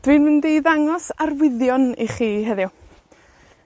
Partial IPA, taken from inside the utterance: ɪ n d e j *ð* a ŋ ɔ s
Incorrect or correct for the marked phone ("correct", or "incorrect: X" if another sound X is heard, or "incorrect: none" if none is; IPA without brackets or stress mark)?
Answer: correct